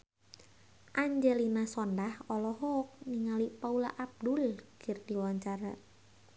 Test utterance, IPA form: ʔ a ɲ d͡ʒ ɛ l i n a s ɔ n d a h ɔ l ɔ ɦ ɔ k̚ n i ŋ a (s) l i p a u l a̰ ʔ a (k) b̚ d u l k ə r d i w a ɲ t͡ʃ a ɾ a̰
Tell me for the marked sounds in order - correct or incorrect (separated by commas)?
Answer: incorrect, incorrect